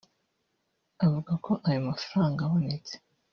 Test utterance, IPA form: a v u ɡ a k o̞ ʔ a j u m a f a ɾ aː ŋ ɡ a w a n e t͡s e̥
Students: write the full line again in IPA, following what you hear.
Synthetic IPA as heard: a v u ɡ a k o̞ ʔ a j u m a f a ɾ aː ŋ ɡ a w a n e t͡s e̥